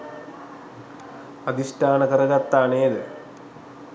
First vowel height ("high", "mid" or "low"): low